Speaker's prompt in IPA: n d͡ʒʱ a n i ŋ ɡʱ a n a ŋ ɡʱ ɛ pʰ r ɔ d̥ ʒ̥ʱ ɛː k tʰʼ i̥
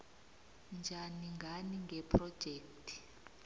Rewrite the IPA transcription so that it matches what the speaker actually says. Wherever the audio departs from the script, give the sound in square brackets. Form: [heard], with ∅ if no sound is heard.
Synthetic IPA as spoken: n d͡ʒʱ a n i ŋ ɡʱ a n [i] ŋ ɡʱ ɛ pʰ r ɔ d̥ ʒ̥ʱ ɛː k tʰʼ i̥